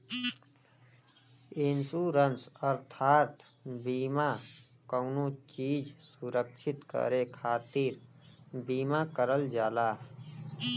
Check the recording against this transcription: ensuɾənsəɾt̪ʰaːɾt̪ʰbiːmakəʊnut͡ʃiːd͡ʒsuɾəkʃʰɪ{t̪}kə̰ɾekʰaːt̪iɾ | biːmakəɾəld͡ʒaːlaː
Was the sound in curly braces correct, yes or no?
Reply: yes